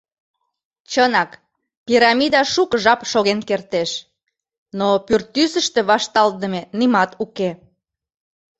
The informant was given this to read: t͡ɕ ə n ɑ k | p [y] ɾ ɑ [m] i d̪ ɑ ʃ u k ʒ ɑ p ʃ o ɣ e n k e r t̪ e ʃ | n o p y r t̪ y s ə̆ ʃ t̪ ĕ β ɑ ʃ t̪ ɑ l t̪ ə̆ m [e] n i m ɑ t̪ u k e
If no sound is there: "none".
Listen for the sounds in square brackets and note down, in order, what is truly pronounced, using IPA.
i, m, e

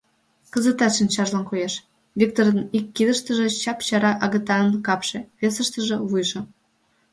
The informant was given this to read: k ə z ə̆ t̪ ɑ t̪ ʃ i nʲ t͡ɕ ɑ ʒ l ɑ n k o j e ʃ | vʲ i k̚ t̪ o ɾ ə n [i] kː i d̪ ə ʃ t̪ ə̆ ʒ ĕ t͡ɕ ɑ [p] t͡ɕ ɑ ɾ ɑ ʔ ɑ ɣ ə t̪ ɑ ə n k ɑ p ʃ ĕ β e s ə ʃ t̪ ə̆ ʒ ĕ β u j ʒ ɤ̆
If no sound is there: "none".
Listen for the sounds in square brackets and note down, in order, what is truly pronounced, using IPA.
i, p

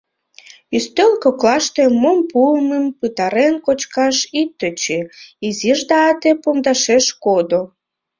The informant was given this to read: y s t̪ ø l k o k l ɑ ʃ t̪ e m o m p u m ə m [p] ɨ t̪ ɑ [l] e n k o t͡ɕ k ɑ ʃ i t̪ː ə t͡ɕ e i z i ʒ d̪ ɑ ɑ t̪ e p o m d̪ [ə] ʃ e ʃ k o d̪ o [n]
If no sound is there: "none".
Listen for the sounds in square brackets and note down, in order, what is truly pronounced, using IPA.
p, ɾ, ɑ, none

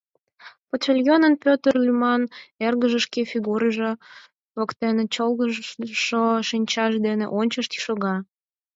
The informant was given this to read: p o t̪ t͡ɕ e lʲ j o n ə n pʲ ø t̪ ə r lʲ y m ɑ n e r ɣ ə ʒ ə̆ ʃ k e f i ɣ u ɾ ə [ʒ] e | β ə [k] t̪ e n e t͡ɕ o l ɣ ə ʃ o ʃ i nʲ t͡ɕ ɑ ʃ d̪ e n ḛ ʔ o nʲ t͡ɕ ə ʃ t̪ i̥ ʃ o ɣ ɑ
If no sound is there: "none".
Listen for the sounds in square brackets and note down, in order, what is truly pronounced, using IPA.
ʒ, k

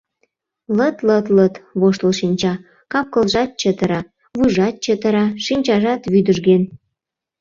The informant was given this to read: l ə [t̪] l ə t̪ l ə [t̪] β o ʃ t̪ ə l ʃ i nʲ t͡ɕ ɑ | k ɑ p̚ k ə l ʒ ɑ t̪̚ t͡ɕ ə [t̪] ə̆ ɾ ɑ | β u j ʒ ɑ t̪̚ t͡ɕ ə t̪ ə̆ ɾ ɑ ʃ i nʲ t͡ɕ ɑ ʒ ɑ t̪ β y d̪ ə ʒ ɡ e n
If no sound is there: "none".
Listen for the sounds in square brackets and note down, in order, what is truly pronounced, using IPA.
t̪, t̪, t̪

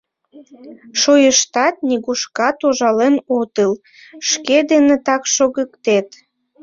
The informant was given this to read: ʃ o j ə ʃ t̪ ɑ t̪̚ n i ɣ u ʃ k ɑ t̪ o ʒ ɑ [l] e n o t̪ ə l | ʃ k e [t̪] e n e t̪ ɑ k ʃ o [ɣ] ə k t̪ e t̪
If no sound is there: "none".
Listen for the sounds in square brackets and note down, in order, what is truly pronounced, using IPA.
l, d̪, ɣ

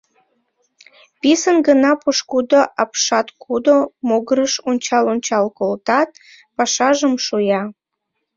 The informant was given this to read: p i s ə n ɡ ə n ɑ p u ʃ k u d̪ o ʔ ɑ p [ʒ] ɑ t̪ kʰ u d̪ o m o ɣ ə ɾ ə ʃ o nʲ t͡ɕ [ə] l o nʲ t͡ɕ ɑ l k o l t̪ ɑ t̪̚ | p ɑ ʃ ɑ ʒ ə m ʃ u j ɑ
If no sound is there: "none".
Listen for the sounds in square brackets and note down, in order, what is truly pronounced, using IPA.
ʃ, ɑ

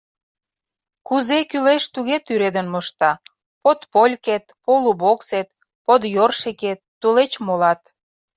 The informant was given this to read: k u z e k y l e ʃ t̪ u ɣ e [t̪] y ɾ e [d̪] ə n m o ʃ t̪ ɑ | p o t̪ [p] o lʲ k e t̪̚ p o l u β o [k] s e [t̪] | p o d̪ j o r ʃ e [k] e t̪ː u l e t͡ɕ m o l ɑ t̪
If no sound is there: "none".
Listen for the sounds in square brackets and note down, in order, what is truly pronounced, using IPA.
t̪, d̪, p, k, t̪, k

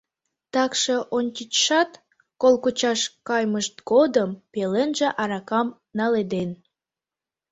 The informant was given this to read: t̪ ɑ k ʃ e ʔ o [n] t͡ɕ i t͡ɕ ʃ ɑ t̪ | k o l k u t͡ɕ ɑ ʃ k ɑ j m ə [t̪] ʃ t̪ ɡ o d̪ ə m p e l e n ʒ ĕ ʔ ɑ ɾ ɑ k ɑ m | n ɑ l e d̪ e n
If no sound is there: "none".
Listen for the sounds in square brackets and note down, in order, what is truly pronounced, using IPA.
n, none

